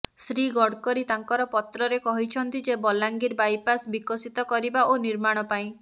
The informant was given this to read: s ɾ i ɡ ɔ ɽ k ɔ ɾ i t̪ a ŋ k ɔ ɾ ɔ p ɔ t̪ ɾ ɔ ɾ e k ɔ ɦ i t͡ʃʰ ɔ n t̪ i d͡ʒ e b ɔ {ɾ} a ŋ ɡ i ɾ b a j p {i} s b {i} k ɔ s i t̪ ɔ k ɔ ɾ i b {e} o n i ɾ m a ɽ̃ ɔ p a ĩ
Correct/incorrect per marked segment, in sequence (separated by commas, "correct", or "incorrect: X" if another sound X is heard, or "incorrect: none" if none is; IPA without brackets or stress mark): incorrect: l, incorrect: a, correct, incorrect: a